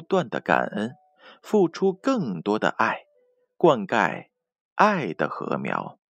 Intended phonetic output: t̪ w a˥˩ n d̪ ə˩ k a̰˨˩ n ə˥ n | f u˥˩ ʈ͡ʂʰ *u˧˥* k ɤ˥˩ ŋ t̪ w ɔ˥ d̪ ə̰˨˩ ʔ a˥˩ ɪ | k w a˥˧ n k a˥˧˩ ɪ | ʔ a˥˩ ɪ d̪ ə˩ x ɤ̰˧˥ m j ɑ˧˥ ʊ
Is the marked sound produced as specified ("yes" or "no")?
no